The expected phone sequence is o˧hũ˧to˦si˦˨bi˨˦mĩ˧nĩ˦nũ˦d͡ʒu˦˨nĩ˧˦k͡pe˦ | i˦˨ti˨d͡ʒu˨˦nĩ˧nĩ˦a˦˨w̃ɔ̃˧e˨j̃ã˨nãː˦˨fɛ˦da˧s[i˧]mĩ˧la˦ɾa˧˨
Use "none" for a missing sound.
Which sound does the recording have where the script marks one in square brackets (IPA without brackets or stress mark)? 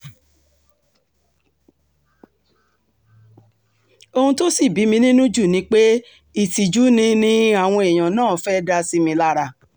i˧